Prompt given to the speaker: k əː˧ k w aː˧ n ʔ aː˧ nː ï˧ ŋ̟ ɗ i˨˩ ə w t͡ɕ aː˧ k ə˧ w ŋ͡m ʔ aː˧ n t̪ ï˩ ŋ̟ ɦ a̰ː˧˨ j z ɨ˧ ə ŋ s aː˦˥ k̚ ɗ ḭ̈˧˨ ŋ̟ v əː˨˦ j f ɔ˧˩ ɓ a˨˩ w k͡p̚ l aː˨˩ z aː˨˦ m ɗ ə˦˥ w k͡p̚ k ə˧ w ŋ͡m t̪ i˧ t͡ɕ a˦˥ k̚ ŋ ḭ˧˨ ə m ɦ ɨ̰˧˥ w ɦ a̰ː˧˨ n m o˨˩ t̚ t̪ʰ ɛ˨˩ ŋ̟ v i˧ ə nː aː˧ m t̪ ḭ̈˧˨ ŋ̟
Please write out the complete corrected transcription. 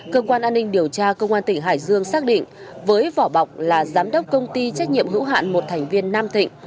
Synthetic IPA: k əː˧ k w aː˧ n ʔ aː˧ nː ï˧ ŋ̟ ɗ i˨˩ ə w t͡ɕ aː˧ k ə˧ w ŋ͡m ʔ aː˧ n t̪ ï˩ ŋ̟ ɦ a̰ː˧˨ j z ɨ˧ ə ŋ s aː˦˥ k̚ ɗ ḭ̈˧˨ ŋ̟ v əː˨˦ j v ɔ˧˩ ɓ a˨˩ w k͡p̚ l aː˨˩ z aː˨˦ m ɗ ə˦˥ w k͡p̚ k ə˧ w ŋ͡m t̪ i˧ t͡ɕ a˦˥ k̚ ɲ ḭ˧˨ ə m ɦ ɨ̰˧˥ w ɦ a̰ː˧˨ n m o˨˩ t̚ t̪ʰ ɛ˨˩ ŋ̟ v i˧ ə nː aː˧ m t̪ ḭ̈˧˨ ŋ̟